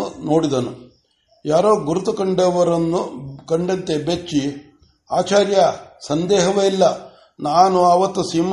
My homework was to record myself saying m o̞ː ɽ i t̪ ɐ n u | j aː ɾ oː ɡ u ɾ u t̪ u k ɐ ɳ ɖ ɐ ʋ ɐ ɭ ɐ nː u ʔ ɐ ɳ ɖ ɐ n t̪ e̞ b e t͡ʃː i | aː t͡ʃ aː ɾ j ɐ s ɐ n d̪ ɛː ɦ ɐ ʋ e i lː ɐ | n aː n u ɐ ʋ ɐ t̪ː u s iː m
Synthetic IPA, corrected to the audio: n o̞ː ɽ i d̪ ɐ n u | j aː ɾ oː ɡ u ɾ u t̪ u k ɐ ɳ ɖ ɐ ʋ ɐ ɾ ɐ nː u k ɐ ɳ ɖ ɐ n t̪ e̞ b e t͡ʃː i | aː t͡ʃ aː ɾ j ɐ s ɐ n d̪ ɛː ɦ ɐ ʋ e i lː ɐ | n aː n u ɐ ʋ ɐ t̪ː u s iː m